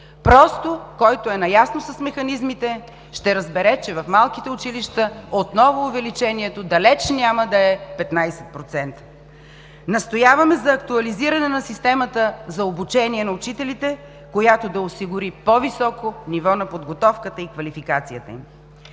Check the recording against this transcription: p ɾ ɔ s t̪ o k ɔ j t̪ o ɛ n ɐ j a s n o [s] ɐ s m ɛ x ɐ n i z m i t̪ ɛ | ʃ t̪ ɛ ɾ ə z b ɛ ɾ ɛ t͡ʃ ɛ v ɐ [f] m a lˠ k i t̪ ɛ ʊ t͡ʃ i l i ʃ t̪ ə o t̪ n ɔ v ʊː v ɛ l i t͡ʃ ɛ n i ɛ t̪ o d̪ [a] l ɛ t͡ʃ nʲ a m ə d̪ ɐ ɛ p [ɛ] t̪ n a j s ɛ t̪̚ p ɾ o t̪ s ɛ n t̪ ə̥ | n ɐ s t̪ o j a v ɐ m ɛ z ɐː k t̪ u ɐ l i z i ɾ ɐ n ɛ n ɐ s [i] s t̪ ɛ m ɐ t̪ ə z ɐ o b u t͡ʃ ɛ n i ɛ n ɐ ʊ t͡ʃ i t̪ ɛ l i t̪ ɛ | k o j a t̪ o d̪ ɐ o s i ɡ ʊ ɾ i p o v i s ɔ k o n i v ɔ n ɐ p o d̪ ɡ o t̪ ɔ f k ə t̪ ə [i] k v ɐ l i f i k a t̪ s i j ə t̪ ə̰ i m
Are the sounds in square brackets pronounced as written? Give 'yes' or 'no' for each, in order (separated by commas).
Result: yes, yes, no, yes, yes, yes